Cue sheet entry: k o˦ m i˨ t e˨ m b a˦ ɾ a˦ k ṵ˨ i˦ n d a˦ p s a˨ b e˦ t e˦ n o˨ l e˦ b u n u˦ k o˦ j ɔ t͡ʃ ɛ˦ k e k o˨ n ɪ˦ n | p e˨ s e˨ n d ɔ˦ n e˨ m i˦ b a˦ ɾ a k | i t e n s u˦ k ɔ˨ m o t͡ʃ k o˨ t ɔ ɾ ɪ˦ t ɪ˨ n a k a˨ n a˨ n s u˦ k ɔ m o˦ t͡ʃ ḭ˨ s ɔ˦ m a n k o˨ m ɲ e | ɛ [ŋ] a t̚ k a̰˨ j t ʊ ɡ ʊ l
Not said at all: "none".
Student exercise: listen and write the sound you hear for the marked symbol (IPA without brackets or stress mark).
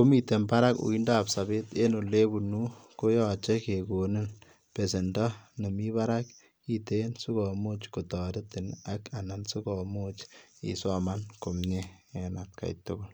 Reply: n